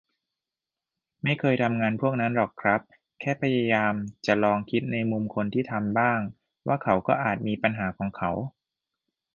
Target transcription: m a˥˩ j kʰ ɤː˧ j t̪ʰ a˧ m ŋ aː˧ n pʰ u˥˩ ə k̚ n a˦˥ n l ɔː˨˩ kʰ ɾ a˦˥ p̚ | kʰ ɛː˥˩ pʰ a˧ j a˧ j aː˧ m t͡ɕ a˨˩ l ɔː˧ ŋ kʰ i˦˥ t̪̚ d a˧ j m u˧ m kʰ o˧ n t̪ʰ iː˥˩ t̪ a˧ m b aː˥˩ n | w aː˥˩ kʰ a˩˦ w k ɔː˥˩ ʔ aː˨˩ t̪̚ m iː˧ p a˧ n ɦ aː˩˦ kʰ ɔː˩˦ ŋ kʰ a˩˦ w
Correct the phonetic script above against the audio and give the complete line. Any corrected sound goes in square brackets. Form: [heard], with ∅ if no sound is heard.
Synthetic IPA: m a˥˩ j kʰ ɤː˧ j t̪ʰ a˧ m ŋ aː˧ n pʰ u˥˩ ə k̚ n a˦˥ n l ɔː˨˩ kʰ ɾ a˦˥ p̚ | kʰ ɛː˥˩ pʰ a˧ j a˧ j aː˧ m t͡ɕ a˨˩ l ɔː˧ ŋ kʰ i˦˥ t̪̚ [n] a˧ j m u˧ m kʰ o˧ n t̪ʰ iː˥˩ [t̪ʰ] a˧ m b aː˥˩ [ŋ] | w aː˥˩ kʰ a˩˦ w k ɔː˥˩ ʔ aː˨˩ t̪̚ m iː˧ p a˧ n ɦ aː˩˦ kʰ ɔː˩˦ ŋ kʰ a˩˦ w